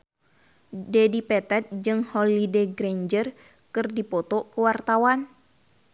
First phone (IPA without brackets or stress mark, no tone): d